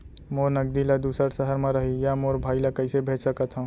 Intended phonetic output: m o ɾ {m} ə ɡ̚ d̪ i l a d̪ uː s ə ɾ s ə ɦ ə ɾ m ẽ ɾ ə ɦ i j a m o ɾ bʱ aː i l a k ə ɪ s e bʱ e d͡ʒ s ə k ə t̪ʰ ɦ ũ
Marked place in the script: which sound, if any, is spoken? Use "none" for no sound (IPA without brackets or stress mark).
n